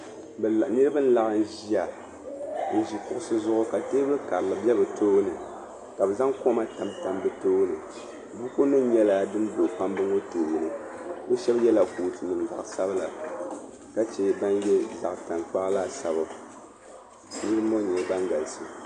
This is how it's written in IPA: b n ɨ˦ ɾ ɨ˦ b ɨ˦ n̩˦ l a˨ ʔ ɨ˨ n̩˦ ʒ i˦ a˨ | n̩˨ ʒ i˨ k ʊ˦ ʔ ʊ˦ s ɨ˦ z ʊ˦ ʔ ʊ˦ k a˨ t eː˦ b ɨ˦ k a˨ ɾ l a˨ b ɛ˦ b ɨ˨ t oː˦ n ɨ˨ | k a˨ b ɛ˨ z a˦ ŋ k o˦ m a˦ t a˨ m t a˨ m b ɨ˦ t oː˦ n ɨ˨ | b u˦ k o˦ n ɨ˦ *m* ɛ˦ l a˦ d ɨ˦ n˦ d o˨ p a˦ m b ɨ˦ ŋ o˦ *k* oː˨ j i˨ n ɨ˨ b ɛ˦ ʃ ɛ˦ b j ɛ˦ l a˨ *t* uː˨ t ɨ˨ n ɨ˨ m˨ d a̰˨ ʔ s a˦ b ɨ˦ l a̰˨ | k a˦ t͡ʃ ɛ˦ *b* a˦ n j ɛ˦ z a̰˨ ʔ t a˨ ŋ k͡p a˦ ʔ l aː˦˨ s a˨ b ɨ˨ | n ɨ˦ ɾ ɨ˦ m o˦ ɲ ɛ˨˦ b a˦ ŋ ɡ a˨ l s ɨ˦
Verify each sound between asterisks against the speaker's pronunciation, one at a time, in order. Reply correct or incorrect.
incorrect, incorrect, incorrect, correct

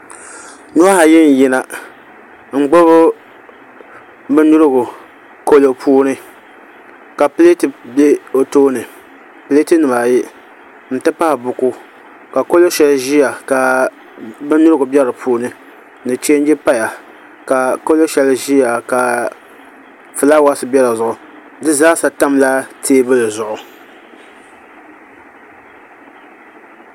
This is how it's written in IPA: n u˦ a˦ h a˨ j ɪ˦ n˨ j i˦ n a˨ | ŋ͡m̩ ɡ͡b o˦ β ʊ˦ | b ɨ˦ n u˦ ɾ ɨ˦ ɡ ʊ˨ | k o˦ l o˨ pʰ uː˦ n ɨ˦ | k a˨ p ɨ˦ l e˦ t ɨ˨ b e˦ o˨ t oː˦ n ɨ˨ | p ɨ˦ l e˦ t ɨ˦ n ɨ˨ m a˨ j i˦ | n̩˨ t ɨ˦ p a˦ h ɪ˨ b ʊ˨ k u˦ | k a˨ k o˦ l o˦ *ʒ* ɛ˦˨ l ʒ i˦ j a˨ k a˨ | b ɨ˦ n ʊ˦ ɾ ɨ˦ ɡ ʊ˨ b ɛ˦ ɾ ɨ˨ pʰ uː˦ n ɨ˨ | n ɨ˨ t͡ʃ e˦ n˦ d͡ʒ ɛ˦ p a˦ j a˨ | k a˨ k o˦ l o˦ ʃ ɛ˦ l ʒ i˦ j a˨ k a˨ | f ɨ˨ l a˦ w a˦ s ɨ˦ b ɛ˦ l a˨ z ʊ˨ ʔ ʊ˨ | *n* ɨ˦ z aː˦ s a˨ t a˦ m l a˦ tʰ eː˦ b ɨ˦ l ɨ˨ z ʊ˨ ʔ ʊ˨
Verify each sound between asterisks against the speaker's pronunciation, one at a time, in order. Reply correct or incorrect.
incorrect, incorrect

